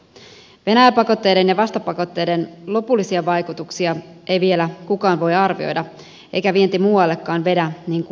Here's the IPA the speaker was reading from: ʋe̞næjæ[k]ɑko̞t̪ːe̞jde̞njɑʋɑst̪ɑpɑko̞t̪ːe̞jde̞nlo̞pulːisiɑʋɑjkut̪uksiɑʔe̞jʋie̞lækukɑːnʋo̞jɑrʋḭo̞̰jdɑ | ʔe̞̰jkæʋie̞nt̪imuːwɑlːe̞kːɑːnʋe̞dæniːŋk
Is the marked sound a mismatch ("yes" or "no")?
yes